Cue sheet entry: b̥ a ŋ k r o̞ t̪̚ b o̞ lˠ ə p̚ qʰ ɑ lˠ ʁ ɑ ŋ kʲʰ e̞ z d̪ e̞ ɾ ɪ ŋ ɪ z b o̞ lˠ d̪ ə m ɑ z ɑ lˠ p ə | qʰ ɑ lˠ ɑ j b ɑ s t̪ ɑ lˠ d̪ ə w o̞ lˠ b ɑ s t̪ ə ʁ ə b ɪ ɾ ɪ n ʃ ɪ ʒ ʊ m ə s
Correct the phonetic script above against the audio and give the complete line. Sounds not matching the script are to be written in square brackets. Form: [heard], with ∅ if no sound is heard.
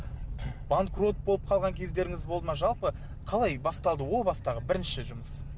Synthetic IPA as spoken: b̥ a ŋ k r o̞ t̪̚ b o̞ lˠ ə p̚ qʰ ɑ lˠ ʁ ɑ ŋ kʲʰ e̞ z d̪ e̞ ɾ ɪ ŋ ɪ z b o̞ lˠ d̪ ə m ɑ [ʒ] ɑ lˠ p ə | qʰ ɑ lˠ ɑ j b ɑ s t̪ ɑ lˠ d̪ ə w o̞ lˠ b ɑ s t̪ [ɑ] ʁ ə b ɪ ɾ ɪ n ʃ ɪ ʒ ʊ m ə s